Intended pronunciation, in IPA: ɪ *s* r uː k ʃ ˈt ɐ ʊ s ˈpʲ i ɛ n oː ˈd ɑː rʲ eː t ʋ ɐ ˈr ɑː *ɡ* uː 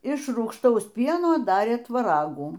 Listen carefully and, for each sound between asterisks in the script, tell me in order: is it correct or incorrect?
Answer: incorrect: ʃ, correct

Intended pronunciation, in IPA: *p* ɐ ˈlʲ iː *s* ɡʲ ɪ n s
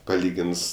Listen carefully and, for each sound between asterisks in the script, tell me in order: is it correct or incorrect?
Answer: correct, incorrect: none

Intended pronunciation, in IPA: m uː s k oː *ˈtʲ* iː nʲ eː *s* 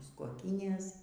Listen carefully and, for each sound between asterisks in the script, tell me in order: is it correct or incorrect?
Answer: incorrect: kʲ, correct

